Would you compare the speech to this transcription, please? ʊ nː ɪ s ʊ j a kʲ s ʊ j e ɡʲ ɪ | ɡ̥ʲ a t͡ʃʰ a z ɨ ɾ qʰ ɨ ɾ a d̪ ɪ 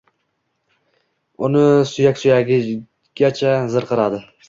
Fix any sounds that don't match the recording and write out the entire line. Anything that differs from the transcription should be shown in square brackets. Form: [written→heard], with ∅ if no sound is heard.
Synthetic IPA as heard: ʊ [nː→n] ɪ s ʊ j a kʲ s ʊ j [e→a] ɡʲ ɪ | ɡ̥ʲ a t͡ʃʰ a z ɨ ɾ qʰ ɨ ɾ a d̪ ɪ